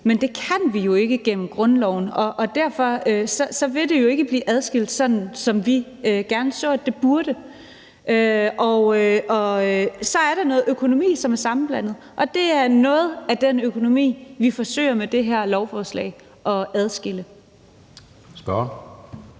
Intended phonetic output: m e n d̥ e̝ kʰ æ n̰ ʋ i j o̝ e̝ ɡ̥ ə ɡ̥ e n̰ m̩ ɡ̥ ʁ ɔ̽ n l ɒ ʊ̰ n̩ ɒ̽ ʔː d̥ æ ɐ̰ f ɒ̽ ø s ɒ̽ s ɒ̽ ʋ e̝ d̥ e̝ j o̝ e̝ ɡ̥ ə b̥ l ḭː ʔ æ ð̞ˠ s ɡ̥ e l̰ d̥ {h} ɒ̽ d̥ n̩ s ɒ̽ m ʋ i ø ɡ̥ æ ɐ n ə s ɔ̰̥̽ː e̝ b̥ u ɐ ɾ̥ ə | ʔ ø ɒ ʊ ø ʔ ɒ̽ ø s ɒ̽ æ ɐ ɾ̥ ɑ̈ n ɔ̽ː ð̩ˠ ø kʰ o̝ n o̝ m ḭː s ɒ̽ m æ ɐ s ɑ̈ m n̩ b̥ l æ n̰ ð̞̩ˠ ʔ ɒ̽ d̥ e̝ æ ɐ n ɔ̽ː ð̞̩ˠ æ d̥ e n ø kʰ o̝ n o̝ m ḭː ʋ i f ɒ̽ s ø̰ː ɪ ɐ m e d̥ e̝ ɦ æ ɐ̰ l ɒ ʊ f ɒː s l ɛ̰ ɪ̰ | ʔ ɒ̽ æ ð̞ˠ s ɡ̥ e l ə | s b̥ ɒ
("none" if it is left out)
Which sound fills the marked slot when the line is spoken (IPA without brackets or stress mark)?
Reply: s